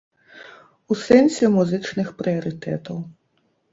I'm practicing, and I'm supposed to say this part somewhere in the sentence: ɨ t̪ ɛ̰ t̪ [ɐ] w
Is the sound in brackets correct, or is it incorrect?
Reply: correct